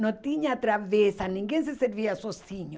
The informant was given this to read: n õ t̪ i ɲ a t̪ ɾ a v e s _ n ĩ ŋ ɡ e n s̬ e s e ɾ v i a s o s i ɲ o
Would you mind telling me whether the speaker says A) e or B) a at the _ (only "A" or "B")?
B